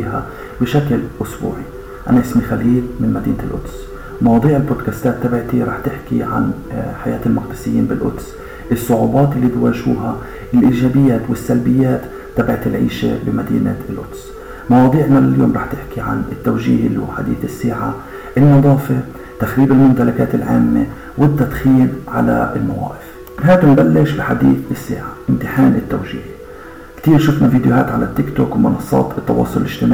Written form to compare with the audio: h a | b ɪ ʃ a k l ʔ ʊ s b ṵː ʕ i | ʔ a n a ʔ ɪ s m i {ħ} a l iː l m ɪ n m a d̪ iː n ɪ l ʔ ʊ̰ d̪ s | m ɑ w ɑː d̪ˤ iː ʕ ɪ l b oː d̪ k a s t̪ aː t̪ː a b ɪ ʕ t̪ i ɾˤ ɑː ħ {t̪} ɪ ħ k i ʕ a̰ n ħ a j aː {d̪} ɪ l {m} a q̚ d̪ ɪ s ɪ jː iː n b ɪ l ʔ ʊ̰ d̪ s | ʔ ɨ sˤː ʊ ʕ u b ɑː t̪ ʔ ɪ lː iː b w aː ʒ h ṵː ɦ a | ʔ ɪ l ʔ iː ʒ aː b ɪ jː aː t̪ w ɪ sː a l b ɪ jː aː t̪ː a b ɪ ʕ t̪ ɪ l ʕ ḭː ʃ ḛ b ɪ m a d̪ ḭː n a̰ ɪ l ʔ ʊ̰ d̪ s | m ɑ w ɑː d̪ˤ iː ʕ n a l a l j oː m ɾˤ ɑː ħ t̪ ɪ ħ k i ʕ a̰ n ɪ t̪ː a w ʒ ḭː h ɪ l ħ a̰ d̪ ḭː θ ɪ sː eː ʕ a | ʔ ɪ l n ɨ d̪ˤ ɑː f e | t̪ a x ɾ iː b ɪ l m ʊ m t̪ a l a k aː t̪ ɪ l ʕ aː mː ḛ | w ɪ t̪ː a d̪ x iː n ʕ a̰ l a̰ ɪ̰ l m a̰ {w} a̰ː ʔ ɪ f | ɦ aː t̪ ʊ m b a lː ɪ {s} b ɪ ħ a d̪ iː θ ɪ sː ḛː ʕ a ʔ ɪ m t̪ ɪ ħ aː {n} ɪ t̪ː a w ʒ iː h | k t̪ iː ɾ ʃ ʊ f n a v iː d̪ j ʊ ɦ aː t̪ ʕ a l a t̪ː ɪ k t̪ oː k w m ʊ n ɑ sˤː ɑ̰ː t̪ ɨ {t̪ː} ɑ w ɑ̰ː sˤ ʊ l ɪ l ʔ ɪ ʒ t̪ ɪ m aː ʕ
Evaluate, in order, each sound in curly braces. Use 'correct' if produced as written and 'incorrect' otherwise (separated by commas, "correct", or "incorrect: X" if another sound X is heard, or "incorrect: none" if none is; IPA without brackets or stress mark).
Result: incorrect: x, correct, incorrect: t̪, correct, correct, incorrect: ʃ, correct, correct